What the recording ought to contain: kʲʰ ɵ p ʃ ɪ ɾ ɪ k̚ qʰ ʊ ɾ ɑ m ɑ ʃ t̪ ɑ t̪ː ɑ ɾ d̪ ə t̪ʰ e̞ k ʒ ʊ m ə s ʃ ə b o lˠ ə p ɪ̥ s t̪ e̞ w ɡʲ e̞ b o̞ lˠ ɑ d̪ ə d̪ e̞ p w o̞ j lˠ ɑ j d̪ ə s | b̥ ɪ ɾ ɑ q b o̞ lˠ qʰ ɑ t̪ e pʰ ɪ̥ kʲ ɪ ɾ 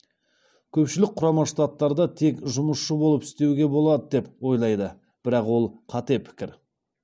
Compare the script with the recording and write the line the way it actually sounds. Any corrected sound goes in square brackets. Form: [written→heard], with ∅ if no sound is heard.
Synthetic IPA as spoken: kʲʰ ɵ p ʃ ɪ [ɾ→l] ɪ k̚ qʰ ʊ ɾ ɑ m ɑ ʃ t̪ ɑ t̪ː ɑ ɾ d̪ [ə→ɑ] t̪ʰ e̞ k ʒ ʊ m ə s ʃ ə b o lˠ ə p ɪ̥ s t̪ e̞ w ɡʲ e̞ b o̞ lˠ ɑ d̪ ə d̪ e̞ p w o̞ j lˠ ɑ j d̪ ə [s→∅] | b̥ ɪ ɾ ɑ q [b→w] o̞ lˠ qʰ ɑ t̪ e pʰ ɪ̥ kʲ ɪ ɾ